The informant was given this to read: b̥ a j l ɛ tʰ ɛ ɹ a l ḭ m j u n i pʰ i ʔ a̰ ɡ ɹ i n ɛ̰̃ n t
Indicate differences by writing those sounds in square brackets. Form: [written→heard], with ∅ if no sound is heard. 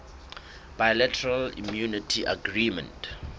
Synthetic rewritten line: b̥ a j l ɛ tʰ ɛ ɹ a l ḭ m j u n i [pʰ→tʰ] i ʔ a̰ ɡ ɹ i [n→m] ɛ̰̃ n t